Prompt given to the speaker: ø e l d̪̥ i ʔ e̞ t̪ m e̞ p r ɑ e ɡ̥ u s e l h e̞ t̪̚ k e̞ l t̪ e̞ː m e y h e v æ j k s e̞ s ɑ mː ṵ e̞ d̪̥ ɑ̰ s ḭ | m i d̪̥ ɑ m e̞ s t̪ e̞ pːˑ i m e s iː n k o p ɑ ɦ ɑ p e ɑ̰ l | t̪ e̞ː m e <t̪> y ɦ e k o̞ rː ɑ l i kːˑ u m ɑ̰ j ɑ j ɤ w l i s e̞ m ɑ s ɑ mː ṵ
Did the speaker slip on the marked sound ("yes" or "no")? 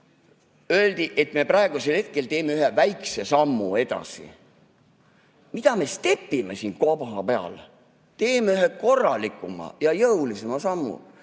yes